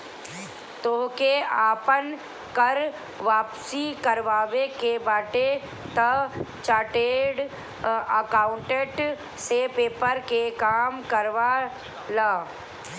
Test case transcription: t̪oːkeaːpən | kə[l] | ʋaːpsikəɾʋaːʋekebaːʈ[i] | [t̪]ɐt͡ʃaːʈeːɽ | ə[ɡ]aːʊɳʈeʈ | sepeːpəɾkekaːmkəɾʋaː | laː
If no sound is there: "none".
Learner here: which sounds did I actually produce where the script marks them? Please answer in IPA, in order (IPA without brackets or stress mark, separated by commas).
ɾ, e, t̪, k